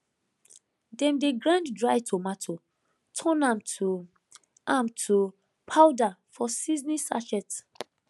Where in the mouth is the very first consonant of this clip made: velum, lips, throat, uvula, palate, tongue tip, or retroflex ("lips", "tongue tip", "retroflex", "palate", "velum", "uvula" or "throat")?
tongue tip